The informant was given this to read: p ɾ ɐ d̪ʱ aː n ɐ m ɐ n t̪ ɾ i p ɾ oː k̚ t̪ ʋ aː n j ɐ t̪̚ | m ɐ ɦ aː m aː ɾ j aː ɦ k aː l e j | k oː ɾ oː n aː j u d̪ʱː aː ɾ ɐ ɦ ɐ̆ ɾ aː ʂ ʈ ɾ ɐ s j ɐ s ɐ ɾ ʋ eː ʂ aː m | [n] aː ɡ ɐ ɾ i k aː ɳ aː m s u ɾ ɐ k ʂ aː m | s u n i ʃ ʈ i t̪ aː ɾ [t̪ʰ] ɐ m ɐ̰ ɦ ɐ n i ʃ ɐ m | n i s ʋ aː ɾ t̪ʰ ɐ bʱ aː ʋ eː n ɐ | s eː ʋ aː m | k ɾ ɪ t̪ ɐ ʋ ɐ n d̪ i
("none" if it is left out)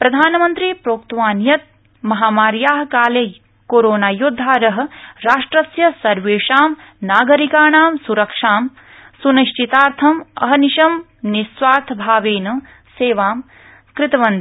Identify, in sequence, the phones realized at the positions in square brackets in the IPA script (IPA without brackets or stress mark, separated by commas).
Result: n, t̪ʰ